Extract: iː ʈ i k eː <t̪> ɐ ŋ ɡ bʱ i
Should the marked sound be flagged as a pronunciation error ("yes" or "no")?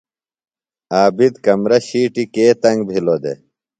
no